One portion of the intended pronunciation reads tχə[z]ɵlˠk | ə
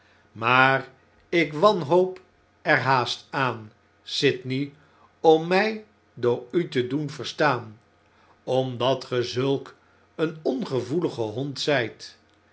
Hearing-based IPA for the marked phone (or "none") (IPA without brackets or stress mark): z